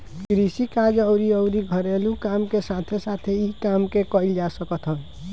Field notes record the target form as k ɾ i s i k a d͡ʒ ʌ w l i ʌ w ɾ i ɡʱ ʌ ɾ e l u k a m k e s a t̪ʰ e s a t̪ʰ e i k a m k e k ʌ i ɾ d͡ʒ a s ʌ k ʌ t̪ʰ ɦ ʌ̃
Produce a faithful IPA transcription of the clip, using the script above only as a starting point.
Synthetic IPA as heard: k ɾ i s i k a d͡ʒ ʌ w ɾ i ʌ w ɾ i ɡʱ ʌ ɾ e l u k a m k e s a t̪ʰ e s a t̪ʰ e i k a m k e k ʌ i l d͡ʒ a s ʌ k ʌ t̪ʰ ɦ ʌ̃